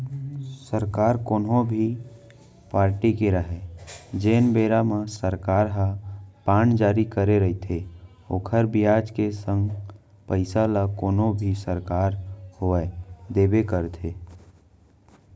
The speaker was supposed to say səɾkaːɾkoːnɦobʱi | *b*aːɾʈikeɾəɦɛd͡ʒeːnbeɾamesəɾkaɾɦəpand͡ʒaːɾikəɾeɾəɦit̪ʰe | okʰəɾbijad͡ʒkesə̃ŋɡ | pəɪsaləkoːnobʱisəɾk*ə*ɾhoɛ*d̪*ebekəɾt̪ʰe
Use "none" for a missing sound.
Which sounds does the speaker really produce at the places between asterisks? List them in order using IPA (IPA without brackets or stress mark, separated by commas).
p, a, d̪